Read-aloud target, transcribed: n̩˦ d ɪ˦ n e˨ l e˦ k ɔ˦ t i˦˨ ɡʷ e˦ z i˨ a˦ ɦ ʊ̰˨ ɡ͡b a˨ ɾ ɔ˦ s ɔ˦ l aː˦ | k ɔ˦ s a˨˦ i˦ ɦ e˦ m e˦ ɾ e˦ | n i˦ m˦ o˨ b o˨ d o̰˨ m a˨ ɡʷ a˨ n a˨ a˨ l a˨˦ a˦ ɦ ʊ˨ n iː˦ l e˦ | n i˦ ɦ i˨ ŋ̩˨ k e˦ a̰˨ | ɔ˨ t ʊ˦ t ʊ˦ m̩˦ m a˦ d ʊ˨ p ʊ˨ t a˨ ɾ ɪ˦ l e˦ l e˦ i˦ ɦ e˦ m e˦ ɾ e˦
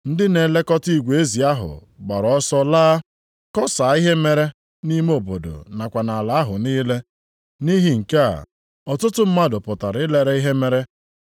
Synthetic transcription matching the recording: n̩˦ d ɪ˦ n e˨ l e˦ k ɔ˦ t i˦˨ ɡʷ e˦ z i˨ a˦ ɦ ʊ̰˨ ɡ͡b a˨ ɾ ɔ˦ s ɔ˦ l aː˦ | k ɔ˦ s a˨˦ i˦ ɦ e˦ m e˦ ɾ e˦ | n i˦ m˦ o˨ b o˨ d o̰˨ n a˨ kʷ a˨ n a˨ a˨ l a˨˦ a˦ ɦ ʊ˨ n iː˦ l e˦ | n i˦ ɦ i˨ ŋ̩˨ k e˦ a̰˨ | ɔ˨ t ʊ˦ t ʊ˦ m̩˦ m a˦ d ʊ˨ p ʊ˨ t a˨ ɾ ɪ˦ l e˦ ɾ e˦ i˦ ɦ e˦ m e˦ ɾ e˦